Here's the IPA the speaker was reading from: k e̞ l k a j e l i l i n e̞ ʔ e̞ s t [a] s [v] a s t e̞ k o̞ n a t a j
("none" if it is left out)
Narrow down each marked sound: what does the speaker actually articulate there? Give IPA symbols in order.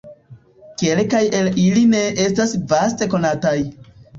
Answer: a, v

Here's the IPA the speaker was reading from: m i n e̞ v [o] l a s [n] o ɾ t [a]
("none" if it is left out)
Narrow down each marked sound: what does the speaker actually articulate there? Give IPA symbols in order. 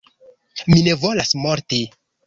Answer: o, m, i

